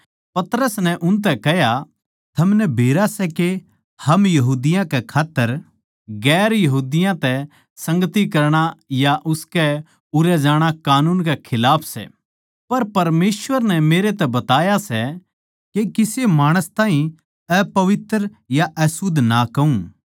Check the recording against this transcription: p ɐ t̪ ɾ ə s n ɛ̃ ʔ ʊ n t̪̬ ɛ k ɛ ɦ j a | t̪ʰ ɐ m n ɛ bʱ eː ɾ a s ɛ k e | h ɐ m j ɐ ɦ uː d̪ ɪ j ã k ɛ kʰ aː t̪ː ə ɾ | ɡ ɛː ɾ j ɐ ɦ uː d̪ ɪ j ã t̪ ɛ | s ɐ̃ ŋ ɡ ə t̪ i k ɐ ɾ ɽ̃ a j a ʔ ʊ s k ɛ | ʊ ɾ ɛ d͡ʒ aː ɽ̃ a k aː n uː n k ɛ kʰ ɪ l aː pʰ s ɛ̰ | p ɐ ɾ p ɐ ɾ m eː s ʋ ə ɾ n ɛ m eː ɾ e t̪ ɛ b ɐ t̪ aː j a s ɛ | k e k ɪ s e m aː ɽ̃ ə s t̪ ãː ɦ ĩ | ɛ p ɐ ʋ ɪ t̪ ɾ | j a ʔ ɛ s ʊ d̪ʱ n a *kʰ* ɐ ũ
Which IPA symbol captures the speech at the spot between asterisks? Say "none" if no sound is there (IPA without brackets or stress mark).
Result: k